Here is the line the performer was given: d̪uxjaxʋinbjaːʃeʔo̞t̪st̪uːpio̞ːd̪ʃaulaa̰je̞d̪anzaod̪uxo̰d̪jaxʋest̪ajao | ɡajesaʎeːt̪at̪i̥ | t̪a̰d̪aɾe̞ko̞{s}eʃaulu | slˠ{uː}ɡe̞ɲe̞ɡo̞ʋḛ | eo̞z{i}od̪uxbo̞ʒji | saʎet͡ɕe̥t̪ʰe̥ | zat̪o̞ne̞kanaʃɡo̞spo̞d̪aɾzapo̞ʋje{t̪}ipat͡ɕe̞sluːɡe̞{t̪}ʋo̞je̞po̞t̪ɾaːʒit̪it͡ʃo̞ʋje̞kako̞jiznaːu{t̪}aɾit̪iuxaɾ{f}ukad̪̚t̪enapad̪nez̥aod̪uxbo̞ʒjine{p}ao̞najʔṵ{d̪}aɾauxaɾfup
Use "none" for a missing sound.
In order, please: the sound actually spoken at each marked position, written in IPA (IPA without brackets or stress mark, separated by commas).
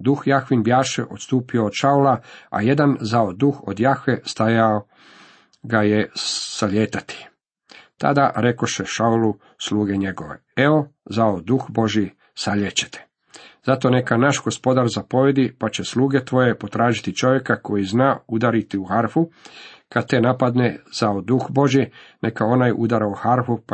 ʃ, uː, a, d̪, t̪, d̪, f, k, d̪